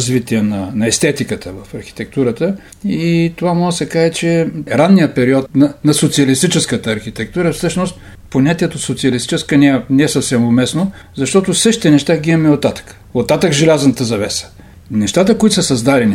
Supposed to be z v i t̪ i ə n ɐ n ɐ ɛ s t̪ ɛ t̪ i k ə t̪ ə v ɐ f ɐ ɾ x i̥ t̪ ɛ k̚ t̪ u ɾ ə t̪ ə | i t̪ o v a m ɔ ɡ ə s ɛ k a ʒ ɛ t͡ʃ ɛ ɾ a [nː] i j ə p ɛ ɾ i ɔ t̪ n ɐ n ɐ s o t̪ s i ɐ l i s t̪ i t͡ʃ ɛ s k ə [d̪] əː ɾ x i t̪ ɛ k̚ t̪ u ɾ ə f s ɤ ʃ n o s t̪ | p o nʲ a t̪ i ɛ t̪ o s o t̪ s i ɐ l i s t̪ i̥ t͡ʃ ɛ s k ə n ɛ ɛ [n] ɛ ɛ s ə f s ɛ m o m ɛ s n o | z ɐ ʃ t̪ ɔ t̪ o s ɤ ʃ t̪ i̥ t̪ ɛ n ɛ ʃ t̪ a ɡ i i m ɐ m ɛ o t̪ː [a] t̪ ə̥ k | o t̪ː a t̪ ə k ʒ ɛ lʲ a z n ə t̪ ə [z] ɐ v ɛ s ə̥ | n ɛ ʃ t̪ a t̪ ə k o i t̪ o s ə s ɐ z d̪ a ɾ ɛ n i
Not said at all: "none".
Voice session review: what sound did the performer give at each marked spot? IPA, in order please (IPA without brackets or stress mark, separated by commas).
nː, t̪, n, a, z